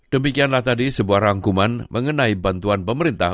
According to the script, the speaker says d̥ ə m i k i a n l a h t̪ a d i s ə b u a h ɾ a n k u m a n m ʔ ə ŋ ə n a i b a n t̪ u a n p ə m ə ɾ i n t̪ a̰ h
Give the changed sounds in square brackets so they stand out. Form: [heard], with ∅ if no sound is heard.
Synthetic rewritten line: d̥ ə m i k i a n l a h t̪ a d i s ə b u a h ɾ a [ŋ] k u m a n m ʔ ə ŋ ə n a i b a n t̪ u a n p ə m ə ɾ i n t̪ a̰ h